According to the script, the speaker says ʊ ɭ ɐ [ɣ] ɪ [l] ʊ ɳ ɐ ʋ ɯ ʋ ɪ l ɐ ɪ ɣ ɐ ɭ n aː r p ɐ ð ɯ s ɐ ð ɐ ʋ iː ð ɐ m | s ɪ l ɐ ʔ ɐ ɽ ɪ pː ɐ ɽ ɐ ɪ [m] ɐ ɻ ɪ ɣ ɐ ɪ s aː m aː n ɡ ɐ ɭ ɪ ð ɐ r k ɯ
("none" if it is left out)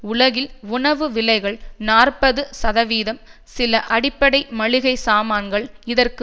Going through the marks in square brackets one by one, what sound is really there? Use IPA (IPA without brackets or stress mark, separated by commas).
ɣ, l, m